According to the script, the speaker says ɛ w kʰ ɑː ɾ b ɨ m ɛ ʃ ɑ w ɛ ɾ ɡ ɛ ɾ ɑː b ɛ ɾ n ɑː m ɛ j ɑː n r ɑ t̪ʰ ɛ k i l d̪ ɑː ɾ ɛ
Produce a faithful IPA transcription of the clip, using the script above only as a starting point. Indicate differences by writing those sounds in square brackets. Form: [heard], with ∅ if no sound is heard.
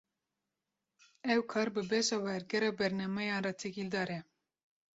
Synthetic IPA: ɛ w kʰ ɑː ɾ b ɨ [b] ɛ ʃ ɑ w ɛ ɾ ɡ ɛ ɾ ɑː b ɛ ɾ n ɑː m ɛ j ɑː n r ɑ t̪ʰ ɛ k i l d̪ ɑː ɾ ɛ